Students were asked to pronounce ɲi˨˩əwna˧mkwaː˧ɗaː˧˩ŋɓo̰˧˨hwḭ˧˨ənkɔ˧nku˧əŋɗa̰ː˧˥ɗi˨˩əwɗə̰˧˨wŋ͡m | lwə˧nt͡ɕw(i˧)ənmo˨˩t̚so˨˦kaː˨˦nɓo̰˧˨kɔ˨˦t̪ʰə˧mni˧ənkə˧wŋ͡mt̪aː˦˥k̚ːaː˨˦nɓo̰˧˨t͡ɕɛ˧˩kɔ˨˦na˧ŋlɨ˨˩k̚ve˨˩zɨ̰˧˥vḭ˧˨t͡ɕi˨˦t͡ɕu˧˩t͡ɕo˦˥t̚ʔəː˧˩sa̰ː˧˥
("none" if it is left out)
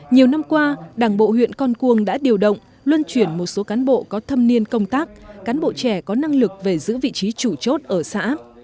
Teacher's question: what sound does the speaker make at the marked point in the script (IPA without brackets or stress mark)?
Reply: i˧˩